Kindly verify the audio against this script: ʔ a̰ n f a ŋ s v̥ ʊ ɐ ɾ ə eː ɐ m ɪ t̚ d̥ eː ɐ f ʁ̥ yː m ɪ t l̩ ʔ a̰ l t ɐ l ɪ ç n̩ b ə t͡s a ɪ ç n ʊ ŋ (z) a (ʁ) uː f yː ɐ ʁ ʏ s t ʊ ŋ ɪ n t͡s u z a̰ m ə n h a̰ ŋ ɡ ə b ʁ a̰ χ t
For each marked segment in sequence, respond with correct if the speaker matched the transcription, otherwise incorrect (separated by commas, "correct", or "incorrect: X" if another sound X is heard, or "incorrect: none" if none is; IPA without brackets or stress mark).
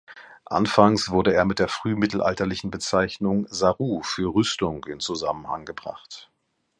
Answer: correct, correct